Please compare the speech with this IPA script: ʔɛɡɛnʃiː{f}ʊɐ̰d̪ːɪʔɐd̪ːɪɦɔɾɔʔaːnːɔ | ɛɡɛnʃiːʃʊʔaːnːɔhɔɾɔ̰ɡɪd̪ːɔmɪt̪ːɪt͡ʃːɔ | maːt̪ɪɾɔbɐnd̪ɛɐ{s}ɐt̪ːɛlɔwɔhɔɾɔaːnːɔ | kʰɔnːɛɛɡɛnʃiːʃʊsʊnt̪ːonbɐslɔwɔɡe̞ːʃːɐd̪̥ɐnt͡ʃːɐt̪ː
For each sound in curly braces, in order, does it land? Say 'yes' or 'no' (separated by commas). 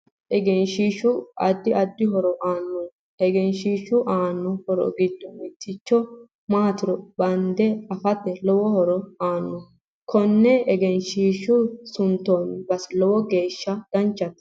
no, no